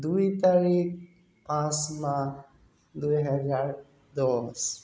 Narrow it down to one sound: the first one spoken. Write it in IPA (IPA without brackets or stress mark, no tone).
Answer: d̪